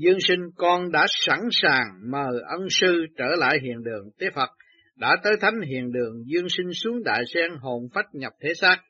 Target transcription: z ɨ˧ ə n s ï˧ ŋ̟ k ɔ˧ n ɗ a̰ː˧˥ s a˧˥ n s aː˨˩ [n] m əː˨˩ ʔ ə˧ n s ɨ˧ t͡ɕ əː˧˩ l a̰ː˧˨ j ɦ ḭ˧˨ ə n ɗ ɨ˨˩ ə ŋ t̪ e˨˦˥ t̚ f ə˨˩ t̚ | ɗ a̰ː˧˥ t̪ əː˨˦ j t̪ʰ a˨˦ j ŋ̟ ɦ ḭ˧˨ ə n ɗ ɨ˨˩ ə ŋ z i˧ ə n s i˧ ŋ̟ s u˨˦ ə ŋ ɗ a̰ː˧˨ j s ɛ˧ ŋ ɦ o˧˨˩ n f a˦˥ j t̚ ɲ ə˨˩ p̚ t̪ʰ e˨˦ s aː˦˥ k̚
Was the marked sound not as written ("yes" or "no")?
yes